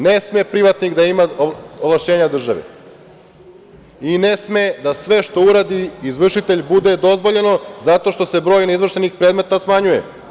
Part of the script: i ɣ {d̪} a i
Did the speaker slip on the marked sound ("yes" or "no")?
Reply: no